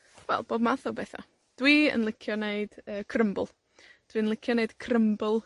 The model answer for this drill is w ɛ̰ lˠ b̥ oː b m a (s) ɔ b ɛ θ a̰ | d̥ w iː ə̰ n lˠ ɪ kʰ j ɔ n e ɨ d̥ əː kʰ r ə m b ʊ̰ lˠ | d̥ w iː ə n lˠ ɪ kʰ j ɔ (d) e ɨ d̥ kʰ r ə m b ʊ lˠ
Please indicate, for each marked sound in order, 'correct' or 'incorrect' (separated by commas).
incorrect, incorrect